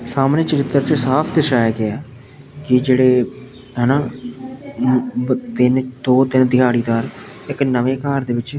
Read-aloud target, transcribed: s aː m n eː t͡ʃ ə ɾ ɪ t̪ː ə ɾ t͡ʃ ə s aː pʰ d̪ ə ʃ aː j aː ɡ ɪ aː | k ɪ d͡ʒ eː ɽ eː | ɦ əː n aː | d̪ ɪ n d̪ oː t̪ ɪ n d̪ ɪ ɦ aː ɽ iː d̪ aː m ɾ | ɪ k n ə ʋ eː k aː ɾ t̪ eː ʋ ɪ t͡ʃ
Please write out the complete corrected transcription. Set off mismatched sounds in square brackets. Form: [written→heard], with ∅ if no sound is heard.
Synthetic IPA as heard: s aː m n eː t͡ʃ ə ɾ ɪ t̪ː ə ɾ t͡ʃ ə s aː pʰ d̪ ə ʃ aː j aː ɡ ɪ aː | k ɪ d͡ʒ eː ɽ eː | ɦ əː n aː | [d̪→t̪] ɪ n d̪ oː t̪ ɪ n d̪ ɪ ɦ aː ɽ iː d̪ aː [m→∅] ɾ | ɪ k n ə ʋ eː k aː ɾ [t̪→d̪] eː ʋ ɪ t͡ʃ